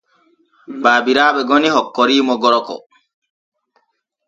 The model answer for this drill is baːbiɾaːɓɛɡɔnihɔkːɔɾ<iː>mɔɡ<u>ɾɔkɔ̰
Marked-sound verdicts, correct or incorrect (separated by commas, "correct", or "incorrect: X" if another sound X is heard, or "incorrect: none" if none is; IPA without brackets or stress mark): correct, incorrect: ɔ